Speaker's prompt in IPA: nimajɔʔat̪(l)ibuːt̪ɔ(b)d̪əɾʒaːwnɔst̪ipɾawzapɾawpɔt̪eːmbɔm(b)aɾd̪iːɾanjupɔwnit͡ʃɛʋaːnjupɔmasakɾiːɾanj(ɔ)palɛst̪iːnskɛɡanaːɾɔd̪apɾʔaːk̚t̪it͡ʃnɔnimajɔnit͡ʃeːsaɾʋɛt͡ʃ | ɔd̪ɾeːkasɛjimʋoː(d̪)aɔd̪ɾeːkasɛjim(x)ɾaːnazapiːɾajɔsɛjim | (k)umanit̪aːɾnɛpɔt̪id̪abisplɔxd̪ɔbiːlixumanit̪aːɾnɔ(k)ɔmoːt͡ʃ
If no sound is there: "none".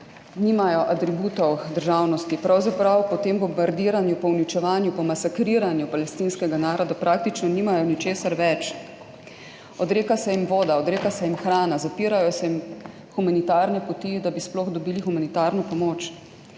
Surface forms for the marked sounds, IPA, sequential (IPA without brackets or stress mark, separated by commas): ɾ, w, b, u, d̪, x, x, p